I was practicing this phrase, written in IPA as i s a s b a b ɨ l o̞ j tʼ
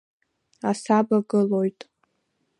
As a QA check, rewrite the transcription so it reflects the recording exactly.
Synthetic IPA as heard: a s a b a ɡ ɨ l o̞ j tʼ